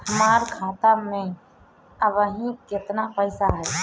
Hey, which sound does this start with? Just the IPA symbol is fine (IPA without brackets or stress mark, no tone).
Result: h